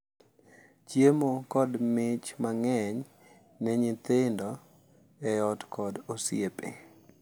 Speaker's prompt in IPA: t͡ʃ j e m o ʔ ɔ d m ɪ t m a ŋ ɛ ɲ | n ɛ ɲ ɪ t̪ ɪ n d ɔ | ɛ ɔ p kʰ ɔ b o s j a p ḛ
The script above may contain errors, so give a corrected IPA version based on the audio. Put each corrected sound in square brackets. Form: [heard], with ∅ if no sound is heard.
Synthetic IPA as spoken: t͡ʃ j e m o [k] ɔ d m ɪ [t͡ʃ] m a ŋ ɛ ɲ | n ɛ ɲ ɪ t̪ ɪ n d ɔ | ɛ ɔ [t] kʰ ɔ [d] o s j [e] p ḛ